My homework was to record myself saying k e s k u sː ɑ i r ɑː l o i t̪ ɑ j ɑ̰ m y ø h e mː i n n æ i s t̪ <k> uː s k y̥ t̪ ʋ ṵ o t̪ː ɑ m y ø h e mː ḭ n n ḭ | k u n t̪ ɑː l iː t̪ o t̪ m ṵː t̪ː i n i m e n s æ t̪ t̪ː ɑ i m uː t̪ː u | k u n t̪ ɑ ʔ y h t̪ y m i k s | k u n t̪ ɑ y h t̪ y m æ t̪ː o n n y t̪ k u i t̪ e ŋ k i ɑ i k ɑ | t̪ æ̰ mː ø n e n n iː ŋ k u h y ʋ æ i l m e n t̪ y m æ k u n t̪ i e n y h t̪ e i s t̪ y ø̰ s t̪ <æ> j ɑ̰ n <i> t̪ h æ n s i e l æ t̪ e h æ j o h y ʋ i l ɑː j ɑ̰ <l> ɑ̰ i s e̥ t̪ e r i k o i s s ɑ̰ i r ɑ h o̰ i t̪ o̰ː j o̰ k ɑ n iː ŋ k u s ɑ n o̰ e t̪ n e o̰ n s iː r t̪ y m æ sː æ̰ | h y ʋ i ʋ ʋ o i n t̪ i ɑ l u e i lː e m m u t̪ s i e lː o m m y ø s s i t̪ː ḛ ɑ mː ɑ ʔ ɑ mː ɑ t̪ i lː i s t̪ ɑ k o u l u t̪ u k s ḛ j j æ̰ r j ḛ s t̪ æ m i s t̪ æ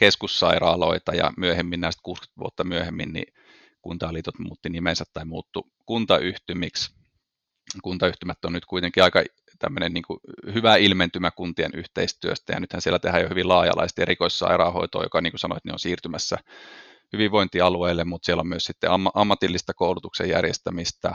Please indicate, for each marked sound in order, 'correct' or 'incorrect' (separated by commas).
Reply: correct, correct, incorrect, correct